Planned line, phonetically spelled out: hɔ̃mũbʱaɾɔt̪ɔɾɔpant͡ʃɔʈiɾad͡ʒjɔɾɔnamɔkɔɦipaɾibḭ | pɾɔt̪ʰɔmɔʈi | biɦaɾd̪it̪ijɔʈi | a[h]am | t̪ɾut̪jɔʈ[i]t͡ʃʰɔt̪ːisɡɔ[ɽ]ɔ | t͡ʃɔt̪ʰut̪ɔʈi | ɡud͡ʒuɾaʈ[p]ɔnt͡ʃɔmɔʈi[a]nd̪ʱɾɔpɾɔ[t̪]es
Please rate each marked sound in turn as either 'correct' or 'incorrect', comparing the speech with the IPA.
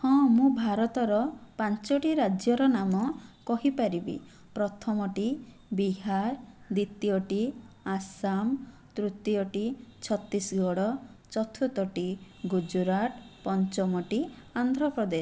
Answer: incorrect, correct, correct, correct, correct, incorrect

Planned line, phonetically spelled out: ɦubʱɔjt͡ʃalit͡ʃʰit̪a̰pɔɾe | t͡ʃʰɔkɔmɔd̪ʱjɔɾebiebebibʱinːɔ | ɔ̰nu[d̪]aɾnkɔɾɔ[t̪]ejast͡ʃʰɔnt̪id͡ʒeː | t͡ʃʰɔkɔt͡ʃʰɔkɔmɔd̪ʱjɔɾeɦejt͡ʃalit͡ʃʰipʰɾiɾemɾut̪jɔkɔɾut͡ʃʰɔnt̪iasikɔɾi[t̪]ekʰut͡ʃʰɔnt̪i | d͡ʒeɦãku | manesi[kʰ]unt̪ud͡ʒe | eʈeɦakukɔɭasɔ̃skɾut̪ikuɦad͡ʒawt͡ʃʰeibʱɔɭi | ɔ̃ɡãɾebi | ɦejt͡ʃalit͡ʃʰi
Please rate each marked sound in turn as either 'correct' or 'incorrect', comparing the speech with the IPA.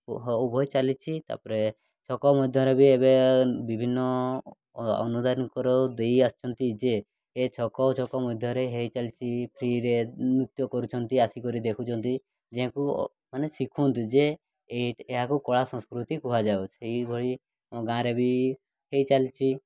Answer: correct, incorrect, incorrect, correct

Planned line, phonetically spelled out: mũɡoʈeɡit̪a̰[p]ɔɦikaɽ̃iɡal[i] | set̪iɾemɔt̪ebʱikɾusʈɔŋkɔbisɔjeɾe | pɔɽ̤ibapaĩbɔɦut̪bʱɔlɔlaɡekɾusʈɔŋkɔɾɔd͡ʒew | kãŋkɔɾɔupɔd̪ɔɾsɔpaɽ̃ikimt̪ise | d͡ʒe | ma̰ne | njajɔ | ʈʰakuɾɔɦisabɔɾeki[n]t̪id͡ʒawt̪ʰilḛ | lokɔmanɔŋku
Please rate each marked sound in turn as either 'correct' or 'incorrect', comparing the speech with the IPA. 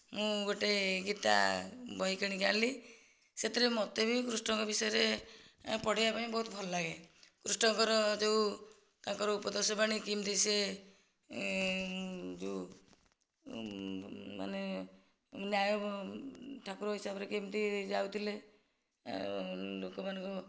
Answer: incorrect, correct, incorrect

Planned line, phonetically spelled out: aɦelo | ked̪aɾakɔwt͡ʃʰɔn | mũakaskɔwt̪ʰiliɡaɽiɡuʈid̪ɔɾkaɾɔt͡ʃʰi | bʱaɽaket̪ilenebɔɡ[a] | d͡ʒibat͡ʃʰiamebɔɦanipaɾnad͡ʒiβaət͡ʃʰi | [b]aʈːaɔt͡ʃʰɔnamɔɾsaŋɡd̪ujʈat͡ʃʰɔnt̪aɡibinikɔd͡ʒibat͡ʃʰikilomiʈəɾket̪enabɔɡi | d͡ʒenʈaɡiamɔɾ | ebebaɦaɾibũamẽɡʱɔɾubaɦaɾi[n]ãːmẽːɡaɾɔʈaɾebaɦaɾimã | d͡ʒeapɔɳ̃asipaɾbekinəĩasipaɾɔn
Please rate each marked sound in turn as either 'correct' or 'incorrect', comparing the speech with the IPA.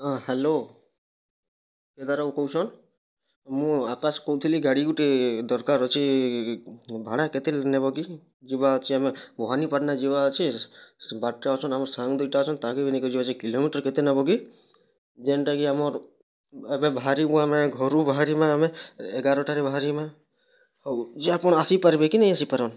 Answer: incorrect, correct, incorrect

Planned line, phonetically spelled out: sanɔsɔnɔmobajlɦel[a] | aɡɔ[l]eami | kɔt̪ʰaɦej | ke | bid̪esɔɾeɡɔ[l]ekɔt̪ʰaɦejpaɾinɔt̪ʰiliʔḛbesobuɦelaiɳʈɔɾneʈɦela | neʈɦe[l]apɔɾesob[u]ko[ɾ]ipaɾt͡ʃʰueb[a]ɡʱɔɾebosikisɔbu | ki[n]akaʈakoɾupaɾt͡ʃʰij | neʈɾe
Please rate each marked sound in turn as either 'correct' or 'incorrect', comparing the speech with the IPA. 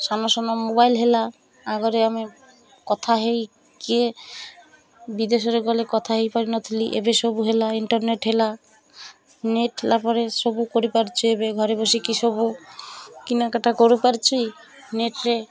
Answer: correct, incorrect, correct, correct, correct, correct, incorrect, correct

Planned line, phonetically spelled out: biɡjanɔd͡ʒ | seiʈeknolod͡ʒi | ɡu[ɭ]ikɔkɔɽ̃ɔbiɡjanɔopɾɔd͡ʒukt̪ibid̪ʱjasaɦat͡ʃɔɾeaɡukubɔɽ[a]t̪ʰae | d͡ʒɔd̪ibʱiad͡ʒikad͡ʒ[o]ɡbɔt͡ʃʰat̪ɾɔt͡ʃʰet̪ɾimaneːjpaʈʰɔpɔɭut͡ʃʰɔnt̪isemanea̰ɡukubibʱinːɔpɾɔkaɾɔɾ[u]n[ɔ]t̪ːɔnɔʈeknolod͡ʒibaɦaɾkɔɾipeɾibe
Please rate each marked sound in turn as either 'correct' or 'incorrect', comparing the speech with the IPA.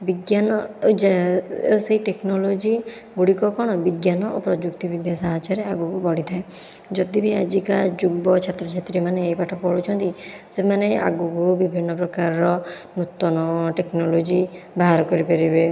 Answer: incorrect, incorrect, incorrect, incorrect, incorrect

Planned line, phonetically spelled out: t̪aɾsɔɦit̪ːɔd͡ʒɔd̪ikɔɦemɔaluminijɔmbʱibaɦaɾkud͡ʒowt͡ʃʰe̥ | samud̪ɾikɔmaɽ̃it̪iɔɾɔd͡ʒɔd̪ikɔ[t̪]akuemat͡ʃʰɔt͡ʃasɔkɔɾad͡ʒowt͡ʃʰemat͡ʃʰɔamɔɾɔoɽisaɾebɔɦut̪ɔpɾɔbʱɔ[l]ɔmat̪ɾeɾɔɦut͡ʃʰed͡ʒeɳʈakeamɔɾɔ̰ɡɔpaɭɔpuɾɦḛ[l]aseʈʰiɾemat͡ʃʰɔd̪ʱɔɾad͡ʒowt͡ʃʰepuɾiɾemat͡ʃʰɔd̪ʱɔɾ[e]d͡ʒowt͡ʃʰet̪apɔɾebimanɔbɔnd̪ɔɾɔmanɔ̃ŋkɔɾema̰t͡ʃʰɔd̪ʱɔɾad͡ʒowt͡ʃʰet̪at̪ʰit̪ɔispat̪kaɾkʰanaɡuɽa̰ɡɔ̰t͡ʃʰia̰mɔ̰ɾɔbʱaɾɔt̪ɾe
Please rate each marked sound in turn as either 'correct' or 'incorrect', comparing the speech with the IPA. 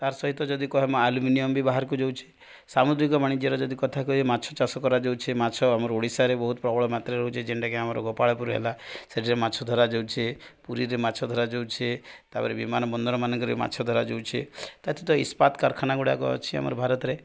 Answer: incorrect, incorrect, correct, incorrect

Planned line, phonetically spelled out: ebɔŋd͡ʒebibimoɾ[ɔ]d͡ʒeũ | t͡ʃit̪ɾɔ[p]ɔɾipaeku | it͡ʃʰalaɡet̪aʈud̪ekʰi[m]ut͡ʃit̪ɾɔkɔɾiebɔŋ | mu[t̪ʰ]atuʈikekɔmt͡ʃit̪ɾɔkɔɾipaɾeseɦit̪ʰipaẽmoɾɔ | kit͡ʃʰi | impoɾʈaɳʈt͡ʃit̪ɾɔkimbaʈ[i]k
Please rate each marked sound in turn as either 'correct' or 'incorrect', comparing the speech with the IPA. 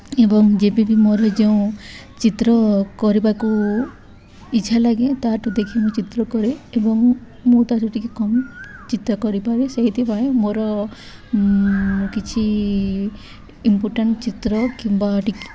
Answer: correct, incorrect, correct, incorrect, correct

